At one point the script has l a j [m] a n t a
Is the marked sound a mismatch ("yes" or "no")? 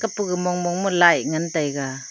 yes